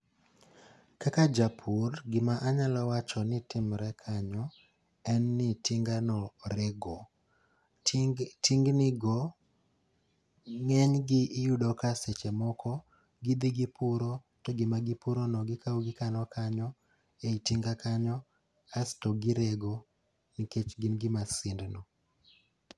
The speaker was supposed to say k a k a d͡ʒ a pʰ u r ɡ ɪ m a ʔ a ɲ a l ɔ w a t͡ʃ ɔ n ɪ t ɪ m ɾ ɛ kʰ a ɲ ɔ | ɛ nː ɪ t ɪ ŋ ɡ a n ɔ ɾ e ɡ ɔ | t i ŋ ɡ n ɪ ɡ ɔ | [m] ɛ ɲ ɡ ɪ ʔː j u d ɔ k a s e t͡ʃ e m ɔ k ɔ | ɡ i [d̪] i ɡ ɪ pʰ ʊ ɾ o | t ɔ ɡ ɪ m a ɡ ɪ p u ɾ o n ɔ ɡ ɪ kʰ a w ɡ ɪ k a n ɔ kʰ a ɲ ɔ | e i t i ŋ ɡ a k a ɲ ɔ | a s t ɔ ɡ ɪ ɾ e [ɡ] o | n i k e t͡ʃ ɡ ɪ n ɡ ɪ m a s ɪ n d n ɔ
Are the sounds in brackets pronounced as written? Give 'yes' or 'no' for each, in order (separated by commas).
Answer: no, yes, yes